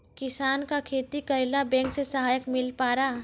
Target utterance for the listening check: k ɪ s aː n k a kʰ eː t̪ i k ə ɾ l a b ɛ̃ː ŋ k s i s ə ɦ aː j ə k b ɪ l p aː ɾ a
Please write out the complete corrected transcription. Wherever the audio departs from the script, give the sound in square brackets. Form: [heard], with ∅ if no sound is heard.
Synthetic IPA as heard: k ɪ s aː n k a kʰ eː t̪ i k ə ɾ l a b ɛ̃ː ŋ k s [e] s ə ɦ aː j ə k [m] ɪ l p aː ɾ a